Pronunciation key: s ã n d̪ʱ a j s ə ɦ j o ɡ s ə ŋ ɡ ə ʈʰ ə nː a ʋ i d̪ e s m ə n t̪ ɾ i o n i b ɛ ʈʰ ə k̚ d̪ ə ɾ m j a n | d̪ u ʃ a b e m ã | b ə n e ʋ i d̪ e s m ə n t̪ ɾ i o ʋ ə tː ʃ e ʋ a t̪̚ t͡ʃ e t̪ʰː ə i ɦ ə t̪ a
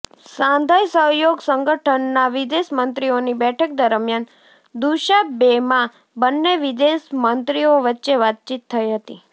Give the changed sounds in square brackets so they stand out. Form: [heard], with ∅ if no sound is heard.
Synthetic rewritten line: s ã n d̪ʱ a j s ə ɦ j o ɡ s ə ŋ ɡ ə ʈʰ ə nː a ʋ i d̪ e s m ə n t̪ ɾ i o n i b ɛ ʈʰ ə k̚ d̪ ə ɾ m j a n | d̪ u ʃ a b e m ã | b ə [nː] e ʋ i d̪ e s m ə n t̪ ɾ i o ʋ ə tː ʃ e ʋ a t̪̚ t͡ʃ [i] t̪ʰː ə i ɦ ə t̪ [i]